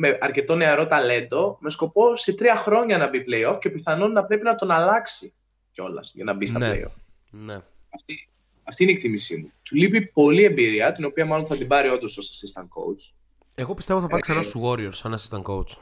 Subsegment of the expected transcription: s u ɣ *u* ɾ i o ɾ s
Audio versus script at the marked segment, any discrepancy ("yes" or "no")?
yes